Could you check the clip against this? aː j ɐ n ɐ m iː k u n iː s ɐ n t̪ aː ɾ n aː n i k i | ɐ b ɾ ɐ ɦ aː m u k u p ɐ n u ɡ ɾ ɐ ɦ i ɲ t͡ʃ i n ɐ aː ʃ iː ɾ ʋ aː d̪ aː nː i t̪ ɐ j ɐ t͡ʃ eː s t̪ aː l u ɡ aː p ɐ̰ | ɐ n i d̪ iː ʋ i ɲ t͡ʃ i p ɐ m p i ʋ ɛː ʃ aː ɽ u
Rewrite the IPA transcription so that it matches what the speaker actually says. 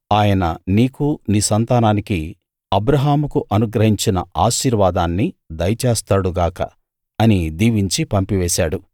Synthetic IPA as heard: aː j ɐ n ɐ n iː k u n iː s ɐ n t̪ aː n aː n i k i | ɐ b ɾ ɐ ɦ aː m u k u ʔ ɐ n u ɡ ɾ ɐ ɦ i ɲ t͡ʃ i n ɐ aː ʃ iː ɾ ʋ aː d̪ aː nː i d̪ ɐ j ɐ t͡ʃ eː s t̪ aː ɽ u ɡ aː k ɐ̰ | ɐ n i d̪ iː ʋ i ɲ t͡ʃ i p ɐ m p i ʋ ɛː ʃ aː ɽ u